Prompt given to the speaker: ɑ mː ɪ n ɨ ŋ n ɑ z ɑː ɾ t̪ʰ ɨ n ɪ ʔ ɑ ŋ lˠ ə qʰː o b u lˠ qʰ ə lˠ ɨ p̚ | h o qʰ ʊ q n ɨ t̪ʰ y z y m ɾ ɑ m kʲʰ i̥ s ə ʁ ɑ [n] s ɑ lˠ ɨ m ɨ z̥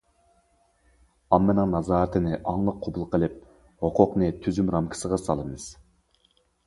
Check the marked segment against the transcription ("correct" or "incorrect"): incorrect